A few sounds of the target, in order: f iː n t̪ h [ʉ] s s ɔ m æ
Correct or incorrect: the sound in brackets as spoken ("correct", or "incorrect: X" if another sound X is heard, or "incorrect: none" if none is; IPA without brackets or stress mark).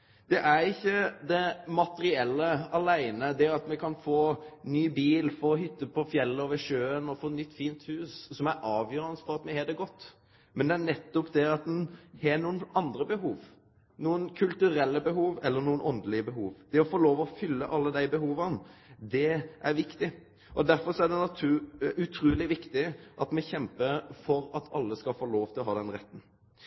incorrect: ʉː